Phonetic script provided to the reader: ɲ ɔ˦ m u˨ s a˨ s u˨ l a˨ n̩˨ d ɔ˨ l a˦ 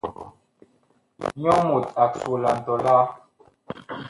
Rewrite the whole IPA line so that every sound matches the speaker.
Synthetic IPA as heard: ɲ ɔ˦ m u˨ t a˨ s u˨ l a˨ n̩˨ t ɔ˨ l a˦